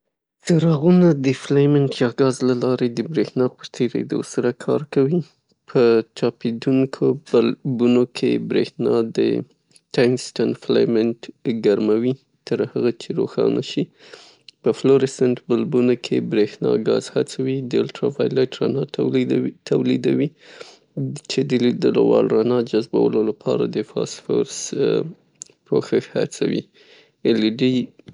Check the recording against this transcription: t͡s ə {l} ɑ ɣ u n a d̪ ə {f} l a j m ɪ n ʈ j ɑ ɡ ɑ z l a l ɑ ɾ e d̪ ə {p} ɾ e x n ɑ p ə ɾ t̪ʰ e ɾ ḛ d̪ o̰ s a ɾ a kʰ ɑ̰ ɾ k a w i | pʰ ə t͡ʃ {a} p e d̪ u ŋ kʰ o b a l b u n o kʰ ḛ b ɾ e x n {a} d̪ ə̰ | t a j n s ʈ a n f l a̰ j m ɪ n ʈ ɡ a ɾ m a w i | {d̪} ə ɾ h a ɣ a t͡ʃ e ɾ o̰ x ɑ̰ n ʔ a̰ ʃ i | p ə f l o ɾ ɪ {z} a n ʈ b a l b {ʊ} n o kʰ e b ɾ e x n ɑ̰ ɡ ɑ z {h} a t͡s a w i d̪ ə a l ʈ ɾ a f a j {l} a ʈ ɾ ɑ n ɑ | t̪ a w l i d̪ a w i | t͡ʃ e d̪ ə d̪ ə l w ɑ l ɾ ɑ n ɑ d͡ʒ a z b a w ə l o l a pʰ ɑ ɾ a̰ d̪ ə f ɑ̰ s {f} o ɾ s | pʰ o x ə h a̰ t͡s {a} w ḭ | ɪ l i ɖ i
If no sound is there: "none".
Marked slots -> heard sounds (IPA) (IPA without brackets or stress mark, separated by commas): ɾ, f, b, ɑ, ɑ, t̪, s, u, h, l, f, a